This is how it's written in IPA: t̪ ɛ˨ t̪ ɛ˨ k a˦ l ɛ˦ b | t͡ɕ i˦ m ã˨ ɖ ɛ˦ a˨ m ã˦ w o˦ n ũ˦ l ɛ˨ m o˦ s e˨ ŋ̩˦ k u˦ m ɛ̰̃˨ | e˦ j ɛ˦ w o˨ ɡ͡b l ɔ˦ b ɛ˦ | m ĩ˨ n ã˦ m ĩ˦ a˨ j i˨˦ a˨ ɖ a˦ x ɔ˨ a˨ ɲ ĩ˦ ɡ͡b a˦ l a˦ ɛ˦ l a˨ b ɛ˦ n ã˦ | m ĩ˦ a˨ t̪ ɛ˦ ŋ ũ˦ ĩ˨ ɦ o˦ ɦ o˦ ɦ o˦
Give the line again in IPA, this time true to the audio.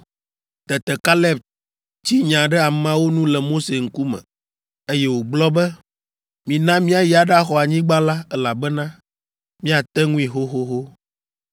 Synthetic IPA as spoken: t̪ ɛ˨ t̪ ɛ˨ k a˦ l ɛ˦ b | t͡ɕ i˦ ɲ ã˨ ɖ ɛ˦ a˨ m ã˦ w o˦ n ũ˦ l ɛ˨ m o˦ s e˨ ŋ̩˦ k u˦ m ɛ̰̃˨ | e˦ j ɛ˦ w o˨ ɡ͡b l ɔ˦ b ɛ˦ | m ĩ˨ n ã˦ m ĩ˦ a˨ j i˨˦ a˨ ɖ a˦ x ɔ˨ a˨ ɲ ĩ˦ ɡ͡b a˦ l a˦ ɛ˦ l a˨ b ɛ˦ n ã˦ | m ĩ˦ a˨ t̪ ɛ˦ ŋ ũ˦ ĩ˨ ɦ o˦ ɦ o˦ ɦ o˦

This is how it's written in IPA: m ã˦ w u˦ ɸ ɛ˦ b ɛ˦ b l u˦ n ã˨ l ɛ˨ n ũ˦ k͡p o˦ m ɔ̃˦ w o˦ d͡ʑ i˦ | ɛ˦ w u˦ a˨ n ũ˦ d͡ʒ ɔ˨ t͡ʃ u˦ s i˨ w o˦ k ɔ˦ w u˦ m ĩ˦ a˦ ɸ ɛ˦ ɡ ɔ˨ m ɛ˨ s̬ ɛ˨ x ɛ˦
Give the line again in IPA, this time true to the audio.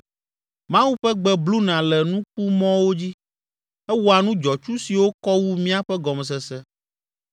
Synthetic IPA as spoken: m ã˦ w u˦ ɸ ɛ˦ ɡ͡b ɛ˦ b l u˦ n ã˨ l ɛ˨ n ũ˦ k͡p u˦ m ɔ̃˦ w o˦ d͡ʑ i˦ | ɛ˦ w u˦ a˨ n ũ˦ d͡ʒ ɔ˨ t͡ʃ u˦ s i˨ w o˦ k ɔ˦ w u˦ m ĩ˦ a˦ ɸ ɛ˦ ɡ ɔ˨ m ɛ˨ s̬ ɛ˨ s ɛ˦

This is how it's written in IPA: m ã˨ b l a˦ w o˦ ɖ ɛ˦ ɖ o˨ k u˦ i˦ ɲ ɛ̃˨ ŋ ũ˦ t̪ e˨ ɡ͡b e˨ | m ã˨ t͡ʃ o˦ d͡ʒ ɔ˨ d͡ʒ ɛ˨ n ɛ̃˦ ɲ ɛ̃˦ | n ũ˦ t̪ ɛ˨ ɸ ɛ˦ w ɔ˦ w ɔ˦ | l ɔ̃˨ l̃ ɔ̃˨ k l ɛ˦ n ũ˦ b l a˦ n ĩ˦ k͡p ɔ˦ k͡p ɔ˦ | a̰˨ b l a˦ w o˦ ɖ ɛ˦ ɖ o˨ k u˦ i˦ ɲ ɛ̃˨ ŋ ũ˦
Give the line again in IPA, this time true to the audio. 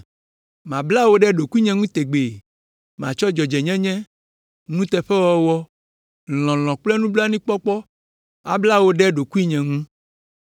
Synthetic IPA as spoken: m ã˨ b l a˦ w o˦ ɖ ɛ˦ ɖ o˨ k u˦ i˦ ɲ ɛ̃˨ ŋ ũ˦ t̪ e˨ ɡ͡b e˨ | m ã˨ t͡ʃ ɔ˦ d͡ʒ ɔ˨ d͡ʒ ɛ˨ ɲ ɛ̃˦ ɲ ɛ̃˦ | n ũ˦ t̪ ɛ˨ ɸ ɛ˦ w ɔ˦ w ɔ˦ | l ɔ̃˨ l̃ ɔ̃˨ k͡p l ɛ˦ n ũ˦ b l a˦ n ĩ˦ k͡p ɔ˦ k͡p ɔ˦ | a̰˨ b l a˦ w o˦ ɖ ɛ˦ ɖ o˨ k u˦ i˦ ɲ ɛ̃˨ ŋ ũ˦

